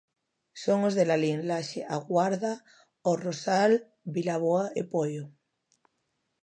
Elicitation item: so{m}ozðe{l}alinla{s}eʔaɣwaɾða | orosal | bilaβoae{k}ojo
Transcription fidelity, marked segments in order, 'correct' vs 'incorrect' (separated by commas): incorrect, correct, incorrect, incorrect